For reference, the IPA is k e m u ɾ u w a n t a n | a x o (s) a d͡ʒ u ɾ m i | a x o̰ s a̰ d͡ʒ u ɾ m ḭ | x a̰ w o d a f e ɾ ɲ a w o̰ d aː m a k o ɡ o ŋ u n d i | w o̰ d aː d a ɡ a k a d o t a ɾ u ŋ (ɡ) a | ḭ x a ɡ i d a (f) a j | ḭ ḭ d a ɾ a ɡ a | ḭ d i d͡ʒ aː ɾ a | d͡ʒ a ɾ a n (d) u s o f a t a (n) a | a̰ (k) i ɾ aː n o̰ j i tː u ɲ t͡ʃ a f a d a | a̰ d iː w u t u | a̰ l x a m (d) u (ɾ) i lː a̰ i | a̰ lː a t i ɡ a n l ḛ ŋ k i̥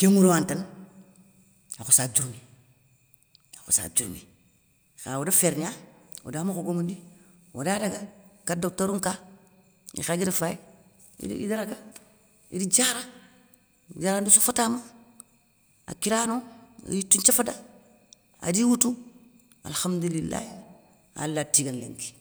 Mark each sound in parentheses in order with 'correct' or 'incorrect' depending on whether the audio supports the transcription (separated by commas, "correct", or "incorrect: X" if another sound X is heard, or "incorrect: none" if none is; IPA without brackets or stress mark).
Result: correct, incorrect: k, correct, correct, incorrect: m, correct, correct, incorrect: l